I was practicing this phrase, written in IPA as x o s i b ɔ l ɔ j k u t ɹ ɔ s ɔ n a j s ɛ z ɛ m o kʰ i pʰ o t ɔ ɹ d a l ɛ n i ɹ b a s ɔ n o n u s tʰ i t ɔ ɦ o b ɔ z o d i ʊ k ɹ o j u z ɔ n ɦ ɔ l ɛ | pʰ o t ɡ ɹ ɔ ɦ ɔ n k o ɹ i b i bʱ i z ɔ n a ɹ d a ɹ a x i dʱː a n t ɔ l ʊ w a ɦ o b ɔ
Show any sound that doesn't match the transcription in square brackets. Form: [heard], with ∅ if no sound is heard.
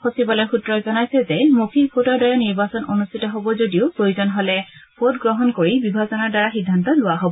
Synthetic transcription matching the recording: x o s i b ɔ l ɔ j [x] u t ɹ ɔ [z] ɔ n a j s ɛ z ɛ m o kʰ i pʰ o t ɔ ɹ d a [ɹ] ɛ n i ɹ b a s ɔ n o n u s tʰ i t ɔ ɦ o b ɔ z o d i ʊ [p] ɹ o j u z ɔ n ɦ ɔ l ɛ | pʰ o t ɡ ɹ ɔ ɦ ɔ n k o ɹ i b i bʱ [a] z ɔ n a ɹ d a ɹ a x i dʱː a n t ɔ l ʊ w a ɦ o b ɔ